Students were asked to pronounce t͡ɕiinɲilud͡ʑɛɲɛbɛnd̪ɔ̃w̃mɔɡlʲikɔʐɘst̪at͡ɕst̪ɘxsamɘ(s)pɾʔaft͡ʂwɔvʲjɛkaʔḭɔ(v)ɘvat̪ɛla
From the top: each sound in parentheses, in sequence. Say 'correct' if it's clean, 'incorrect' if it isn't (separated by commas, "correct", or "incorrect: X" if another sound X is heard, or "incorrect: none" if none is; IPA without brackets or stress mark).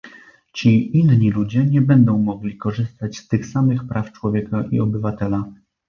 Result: incorrect: x, incorrect: b